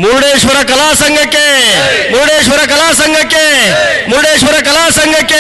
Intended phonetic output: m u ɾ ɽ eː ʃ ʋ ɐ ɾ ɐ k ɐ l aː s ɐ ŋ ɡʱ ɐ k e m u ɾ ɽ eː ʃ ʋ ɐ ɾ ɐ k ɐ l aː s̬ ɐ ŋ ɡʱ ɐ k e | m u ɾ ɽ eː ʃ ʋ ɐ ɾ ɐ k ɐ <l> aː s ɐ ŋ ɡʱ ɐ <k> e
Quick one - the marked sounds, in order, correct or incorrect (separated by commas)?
correct, correct